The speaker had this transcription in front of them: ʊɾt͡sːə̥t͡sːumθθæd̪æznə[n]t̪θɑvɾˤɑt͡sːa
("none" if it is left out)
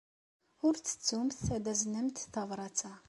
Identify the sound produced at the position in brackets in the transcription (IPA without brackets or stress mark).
m